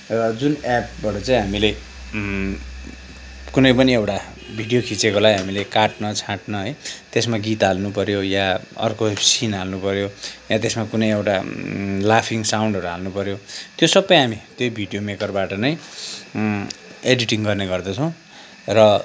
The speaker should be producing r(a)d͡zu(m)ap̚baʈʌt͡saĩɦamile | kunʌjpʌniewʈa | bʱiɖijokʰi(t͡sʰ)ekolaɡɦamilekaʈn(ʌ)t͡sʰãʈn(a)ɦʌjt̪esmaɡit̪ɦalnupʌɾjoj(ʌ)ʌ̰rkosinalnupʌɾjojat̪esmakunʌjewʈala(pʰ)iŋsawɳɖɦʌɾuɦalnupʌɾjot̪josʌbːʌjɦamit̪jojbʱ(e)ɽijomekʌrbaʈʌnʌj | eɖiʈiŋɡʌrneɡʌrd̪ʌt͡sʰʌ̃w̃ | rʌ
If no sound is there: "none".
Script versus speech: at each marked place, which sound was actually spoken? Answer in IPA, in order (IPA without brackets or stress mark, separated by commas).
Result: ʌ, n, t͡s, ʌ, ʌ, a, pʰ, i